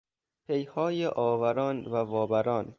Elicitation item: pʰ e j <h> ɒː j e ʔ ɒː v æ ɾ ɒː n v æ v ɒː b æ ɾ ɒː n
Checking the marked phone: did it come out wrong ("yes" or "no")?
no